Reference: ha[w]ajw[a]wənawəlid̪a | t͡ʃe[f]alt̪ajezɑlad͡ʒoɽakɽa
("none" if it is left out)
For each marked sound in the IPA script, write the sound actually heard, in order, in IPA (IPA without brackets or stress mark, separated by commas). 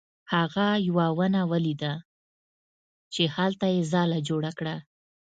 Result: ɣ, a, h